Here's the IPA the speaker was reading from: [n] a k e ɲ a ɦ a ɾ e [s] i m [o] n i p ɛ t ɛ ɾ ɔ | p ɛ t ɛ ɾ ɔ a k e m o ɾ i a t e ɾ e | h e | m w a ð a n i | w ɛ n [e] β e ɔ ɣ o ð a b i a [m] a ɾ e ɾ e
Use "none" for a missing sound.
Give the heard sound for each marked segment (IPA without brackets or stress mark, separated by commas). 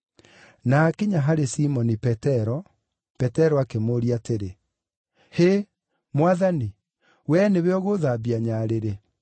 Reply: n, s, ɔ, e, ɲ